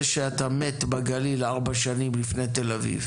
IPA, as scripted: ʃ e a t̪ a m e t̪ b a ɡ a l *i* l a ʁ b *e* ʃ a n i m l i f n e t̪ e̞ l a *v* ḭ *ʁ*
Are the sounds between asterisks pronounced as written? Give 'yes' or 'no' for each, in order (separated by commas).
yes, no, yes, no